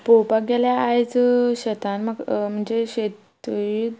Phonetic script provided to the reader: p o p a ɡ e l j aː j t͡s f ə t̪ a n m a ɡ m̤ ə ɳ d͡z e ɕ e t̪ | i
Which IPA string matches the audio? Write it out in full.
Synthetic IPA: p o p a ɡ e l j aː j t͡s ɕ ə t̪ a n m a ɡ m̤ ə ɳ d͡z e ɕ e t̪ | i